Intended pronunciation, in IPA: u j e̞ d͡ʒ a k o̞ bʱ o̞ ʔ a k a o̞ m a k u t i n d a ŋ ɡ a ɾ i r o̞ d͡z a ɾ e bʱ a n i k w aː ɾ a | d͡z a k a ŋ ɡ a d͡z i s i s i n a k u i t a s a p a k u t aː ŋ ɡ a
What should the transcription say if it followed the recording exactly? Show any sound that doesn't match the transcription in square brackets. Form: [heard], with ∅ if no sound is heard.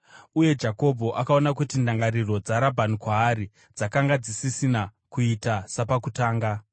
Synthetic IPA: u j e̞ d͡ʒ a k o̞ bʱ o̞ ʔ a k a o̞ [n] a k u t i n d a ŋ ɡ a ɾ i r o̞ d͡z a ɾ [a] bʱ a n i k w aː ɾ [i] | d͡z a k a ŋ ɡ a d͡z i s i s i n a k u i t a s a p a k u t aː ŋ ɡ a